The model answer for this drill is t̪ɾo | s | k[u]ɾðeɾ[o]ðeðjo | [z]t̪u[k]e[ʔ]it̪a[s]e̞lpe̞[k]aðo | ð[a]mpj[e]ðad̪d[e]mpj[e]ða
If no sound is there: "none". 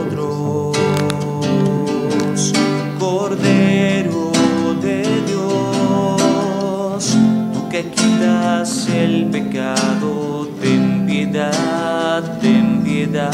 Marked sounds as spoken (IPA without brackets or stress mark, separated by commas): o, o, s, k, k, s, k, e, e, e, e